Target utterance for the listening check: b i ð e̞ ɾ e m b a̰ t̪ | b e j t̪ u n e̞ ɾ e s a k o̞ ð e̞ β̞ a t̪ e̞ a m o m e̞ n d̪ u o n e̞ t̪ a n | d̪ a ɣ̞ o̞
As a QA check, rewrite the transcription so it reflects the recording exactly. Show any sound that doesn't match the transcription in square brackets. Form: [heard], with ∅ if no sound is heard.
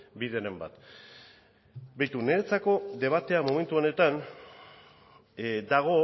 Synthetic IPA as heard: b i ð e̞ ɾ e m b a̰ t̪ | b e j t̪ u n e̞ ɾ e [t͡s] a k o̞ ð e̞ β̞ a t̪ e̞ a m o m e̞ n [t̪] u o n e̞ t̪ a n | d̪ a ɣ̞ o̞